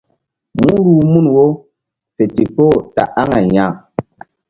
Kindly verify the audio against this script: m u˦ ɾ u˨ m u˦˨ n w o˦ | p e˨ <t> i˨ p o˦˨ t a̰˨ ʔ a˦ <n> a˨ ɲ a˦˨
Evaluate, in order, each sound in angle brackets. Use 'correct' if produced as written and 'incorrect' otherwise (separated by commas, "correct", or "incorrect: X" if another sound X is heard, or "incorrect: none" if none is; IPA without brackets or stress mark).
correct, incorrect: ŋ